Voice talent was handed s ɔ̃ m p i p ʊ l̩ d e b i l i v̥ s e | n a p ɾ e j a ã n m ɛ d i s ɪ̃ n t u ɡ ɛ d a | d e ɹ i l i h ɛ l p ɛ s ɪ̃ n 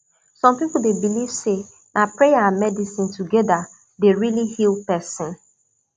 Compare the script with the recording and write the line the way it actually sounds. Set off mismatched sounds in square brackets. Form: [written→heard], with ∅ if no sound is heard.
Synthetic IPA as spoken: s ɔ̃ m p i p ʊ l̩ d e b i l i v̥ s e | n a p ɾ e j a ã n m ɛ d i s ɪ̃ n t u ɡ ɛ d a | d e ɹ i l i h [ɛ→i] l p ɛ s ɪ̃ n